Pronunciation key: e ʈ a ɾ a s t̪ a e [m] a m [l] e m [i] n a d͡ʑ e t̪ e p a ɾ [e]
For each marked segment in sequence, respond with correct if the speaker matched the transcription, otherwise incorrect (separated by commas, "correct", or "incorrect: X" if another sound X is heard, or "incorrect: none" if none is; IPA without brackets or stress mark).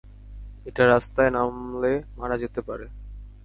incorrect: n, correct, incorrect: a, correct